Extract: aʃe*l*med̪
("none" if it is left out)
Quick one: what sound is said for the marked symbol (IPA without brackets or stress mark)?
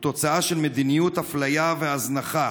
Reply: l